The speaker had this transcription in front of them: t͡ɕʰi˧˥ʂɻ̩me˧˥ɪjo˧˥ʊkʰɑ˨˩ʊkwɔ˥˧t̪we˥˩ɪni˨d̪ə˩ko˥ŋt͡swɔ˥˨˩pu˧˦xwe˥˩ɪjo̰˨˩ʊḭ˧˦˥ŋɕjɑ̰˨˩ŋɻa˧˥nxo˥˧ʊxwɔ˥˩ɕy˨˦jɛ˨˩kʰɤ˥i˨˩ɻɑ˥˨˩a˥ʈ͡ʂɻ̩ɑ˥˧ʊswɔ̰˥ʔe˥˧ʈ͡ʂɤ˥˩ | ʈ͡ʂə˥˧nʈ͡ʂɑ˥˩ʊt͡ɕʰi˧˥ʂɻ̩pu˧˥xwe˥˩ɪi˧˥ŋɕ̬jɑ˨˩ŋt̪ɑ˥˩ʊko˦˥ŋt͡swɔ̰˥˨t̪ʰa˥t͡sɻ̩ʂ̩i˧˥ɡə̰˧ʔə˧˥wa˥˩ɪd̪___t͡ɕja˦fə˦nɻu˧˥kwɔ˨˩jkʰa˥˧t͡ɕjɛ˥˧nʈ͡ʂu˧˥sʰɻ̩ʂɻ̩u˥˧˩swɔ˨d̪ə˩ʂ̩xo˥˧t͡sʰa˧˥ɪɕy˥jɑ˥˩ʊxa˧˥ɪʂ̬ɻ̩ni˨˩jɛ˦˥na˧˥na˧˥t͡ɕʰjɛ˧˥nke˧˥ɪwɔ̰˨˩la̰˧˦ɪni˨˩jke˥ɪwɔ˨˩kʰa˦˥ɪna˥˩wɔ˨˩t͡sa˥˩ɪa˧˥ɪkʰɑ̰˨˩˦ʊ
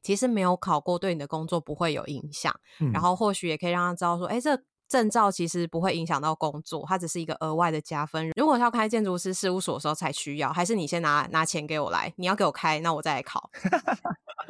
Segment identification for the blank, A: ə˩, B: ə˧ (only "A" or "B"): A